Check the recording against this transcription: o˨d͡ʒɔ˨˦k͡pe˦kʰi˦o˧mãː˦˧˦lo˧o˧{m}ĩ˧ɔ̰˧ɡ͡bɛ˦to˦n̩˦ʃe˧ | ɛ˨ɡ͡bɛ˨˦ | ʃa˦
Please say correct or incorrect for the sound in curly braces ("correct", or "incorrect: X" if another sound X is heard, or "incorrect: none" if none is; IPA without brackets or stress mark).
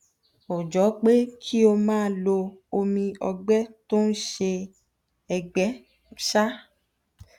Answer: correct